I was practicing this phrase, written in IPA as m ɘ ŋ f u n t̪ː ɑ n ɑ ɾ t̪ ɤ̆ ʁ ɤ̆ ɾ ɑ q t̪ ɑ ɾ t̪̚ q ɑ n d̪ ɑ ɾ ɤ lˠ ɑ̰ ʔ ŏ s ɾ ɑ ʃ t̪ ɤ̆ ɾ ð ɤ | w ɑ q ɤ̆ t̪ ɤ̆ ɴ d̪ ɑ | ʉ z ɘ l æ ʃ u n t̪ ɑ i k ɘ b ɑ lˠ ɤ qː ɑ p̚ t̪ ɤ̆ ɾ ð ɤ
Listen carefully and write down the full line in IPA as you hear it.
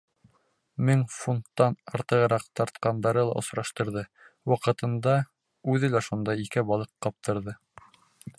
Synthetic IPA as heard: m ɘ ŋ f u n t̪ː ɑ n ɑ ɾ t̪ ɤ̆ ʁ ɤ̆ ɾ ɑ q t̪ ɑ ɾ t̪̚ q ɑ n d̪ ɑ ɾ ɤ lˠ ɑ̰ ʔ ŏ s ɾ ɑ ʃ t̪ ɤ̆ ɾ ð ɤ | w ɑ q ɤ̆ t̪ ɤ̆ n d̪ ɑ | ʉ ð ɘ l æ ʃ u n d̪ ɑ i k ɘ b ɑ lˠ ɤ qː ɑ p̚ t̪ ɤ̆ ɾ ð ɤ